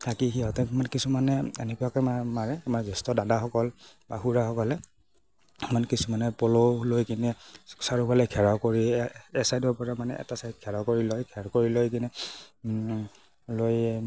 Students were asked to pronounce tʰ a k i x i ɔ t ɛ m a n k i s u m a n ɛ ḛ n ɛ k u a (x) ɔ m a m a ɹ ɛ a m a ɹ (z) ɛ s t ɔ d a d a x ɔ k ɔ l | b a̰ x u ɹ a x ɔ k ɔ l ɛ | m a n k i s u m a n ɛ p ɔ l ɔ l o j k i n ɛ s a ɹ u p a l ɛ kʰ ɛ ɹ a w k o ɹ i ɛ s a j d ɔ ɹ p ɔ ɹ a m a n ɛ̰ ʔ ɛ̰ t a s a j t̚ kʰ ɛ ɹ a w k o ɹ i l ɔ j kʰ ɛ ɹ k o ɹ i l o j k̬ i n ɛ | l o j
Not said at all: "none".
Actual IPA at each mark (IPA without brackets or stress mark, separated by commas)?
k, z